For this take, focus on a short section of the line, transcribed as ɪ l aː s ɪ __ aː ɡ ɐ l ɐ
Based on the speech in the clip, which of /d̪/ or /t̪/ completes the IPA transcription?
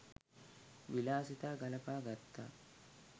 t̪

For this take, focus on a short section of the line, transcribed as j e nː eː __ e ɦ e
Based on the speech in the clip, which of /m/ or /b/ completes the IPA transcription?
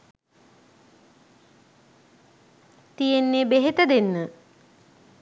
b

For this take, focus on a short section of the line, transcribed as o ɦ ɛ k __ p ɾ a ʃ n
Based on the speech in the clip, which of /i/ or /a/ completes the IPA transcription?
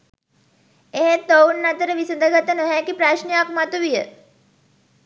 i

